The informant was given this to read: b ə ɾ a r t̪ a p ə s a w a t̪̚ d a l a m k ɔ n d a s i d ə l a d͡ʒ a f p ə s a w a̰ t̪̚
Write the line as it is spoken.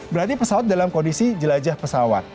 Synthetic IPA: b ə ɾ a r t̪ i p ə s a w a t̪̚ d a l a m k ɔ n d i s i d͡ʒ ə l a d͡ʒ a h p ə s a w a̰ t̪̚